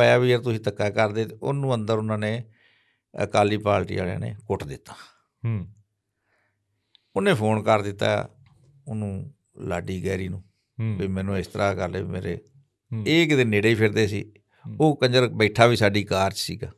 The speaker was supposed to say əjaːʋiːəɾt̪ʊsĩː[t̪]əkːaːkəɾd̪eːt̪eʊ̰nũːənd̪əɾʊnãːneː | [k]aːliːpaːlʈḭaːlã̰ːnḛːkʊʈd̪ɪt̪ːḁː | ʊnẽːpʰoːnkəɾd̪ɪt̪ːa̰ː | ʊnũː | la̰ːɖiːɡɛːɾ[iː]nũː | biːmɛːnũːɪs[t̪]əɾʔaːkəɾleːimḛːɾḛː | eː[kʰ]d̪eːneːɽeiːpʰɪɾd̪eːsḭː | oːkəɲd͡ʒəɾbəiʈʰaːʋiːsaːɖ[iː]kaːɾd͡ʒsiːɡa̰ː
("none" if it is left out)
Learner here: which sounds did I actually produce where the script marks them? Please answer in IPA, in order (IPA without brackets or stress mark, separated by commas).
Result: t̪, k, iː, t̪, k, iː